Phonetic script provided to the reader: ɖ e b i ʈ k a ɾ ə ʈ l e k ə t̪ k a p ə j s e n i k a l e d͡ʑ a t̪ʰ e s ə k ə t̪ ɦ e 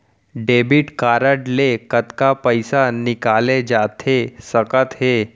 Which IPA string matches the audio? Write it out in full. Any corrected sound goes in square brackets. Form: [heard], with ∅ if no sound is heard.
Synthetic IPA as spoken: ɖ e b i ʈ k a ɾ ə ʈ l e k ə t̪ k a p ə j s [a] n i k a l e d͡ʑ a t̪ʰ e s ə k ə t̪ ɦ e